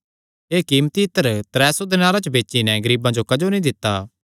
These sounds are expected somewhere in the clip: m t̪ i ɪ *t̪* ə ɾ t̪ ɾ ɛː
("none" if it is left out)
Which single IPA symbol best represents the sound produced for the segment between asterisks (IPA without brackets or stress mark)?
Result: t̪